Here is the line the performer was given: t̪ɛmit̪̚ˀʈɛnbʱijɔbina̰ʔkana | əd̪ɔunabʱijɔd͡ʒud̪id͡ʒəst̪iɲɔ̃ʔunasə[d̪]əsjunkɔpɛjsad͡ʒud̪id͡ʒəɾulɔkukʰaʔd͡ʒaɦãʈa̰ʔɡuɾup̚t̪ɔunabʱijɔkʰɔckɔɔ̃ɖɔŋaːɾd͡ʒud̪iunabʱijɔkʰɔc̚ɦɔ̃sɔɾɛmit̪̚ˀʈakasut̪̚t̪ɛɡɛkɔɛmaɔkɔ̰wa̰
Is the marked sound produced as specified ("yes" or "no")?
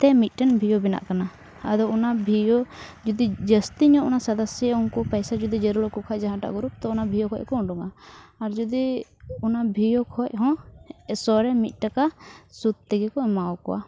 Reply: yes